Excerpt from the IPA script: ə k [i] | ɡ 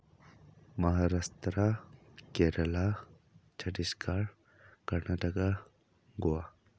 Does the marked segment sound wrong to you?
yes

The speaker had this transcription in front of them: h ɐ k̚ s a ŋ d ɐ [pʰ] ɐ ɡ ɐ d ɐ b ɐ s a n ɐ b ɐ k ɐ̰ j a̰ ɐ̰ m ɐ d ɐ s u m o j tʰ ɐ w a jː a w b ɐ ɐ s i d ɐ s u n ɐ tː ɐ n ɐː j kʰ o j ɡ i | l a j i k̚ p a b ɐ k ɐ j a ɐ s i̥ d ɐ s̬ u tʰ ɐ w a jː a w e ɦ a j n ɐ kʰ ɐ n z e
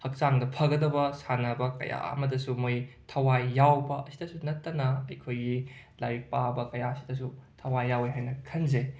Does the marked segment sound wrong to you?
no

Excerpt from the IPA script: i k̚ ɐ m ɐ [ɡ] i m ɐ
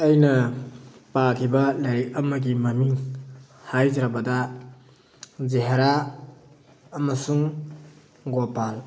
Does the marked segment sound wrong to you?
no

